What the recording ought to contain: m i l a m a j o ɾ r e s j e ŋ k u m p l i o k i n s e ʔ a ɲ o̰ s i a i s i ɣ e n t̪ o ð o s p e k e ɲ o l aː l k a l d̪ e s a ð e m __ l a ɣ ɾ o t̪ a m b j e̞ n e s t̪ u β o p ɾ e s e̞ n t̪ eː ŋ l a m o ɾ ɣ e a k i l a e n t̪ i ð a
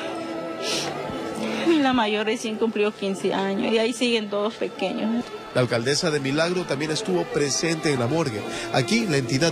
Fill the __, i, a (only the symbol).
i